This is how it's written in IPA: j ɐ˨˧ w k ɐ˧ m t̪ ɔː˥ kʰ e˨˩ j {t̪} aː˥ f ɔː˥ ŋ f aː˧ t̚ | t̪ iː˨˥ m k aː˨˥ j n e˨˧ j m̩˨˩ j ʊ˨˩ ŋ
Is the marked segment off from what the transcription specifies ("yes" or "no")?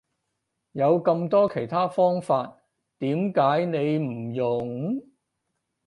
yes